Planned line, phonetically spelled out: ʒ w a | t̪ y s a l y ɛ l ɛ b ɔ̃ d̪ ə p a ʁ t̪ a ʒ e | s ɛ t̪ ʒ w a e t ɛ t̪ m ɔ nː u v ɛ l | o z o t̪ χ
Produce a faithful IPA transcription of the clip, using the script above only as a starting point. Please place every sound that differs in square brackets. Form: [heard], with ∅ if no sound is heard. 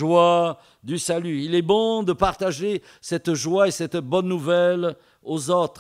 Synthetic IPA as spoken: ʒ w a | [d̪] y s a l y [i] l ɛ b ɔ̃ d̪ ə p a ʁ t̪ a ʒ e | s ɛ t̪ ʒ w a e [s] ɛ t̪ [b] ɔ nː u v ɛ l | o z o t̪ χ